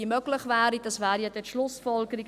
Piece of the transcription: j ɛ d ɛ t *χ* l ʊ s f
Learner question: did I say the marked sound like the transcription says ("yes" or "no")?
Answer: no